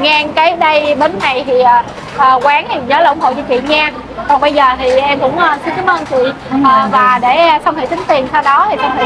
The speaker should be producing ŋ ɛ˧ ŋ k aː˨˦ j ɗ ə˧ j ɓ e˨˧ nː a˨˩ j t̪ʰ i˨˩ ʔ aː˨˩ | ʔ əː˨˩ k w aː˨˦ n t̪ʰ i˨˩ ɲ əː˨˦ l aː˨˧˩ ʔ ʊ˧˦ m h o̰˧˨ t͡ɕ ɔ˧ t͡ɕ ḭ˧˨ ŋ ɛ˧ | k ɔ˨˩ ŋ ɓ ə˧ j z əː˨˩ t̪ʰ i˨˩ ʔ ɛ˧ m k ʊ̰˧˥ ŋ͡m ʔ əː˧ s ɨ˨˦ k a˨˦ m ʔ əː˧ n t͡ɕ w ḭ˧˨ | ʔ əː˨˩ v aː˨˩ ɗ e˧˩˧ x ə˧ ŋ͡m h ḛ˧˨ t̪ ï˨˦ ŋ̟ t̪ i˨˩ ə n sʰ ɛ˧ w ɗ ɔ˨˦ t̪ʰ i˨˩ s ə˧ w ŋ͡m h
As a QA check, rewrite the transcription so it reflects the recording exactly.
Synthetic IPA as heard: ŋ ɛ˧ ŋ k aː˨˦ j ɗ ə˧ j ɓ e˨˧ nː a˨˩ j t̪ʰ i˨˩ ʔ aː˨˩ | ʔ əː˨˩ k w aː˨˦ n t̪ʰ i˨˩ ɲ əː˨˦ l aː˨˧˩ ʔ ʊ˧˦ ŋ͡m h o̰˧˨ t͡ɕ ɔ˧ t͡ɕ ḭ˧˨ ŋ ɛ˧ | k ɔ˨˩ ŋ ɓ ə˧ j z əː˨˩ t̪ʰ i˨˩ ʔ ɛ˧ m k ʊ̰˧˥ ŋ͡m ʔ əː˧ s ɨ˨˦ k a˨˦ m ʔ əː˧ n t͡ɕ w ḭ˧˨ | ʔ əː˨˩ v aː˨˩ ɗ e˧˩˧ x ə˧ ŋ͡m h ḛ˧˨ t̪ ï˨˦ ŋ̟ t̪ i˨˩ ə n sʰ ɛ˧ w ɗ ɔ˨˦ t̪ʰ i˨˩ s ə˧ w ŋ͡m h